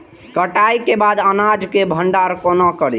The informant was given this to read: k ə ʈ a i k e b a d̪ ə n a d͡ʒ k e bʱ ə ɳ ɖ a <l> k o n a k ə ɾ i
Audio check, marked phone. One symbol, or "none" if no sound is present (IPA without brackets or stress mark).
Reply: ɾ